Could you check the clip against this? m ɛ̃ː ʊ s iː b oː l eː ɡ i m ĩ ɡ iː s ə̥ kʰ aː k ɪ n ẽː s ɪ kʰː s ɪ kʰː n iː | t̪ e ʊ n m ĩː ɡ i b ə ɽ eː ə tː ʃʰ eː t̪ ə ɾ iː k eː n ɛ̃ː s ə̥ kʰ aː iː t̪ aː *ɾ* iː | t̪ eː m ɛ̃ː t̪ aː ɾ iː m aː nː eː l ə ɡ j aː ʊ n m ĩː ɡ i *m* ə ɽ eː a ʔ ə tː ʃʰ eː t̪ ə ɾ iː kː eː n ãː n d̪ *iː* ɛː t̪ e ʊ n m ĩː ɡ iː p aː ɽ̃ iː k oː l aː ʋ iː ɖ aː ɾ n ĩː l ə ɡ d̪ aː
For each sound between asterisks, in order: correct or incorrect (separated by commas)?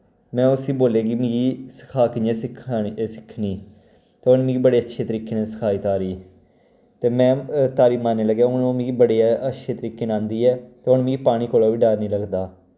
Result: correct, incorrect, correct